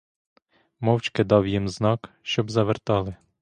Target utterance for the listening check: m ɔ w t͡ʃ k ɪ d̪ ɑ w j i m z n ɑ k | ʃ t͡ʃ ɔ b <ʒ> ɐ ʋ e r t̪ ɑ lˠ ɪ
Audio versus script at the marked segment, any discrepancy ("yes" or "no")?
yes